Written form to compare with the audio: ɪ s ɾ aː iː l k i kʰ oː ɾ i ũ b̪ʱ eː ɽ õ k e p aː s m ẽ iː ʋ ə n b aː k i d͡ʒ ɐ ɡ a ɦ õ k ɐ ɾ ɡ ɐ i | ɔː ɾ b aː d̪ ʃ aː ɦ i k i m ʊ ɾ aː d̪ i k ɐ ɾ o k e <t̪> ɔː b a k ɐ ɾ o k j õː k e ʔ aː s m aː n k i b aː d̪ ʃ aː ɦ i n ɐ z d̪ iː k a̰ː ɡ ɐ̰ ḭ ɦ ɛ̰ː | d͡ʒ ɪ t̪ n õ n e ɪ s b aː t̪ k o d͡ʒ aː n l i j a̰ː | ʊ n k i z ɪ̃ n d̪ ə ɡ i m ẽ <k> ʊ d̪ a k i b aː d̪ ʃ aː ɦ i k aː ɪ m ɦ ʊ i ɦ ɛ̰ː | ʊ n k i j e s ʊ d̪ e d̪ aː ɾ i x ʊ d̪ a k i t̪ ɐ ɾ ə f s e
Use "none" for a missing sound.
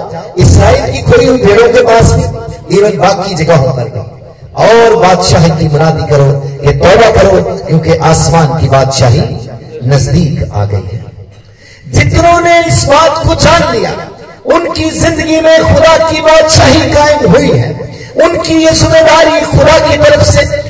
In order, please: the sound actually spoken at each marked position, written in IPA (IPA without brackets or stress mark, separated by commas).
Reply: t̪, x